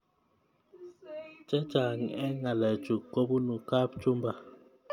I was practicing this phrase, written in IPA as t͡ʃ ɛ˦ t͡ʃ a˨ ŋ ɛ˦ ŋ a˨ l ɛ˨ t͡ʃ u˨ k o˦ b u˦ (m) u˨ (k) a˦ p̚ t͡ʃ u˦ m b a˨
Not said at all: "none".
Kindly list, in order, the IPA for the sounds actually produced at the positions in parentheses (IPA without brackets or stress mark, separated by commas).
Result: n, k